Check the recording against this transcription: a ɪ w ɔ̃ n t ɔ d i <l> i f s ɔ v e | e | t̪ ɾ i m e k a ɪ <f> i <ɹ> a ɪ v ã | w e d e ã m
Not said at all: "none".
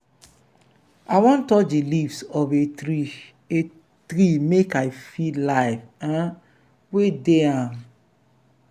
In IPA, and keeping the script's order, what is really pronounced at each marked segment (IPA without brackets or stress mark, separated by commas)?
l, f, l